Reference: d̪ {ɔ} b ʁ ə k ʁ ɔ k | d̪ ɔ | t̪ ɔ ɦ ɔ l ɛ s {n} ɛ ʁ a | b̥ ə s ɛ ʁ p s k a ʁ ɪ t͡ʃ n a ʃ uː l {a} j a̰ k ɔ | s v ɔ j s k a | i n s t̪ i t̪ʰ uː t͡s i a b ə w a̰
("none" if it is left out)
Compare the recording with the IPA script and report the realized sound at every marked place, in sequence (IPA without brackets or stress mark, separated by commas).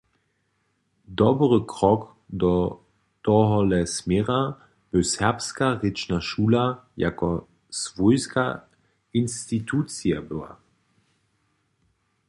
ɔ, m, a